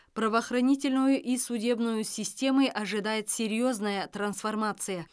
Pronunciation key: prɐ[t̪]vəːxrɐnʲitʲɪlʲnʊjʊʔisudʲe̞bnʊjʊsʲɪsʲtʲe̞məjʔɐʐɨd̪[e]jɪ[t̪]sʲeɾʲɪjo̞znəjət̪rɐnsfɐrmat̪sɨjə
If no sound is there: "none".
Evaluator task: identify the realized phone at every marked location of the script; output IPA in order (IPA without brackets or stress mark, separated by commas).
none, a, t̪